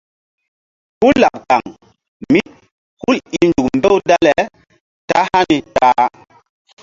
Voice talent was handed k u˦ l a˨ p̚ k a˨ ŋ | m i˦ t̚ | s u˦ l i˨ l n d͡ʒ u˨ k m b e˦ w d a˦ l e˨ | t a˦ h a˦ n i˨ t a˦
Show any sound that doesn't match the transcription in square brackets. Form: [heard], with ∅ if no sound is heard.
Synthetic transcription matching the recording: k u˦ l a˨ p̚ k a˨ ŋ | m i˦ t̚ | [h] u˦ l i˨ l n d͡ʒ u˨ k m b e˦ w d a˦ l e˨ | t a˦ h a˦ n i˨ t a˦